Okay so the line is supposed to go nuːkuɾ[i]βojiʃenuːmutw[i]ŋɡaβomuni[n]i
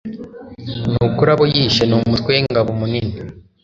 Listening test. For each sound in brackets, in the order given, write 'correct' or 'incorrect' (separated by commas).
incorrect, incorrect, correct